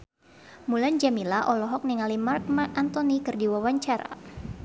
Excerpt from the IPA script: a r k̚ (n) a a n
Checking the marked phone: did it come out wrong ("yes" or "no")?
yes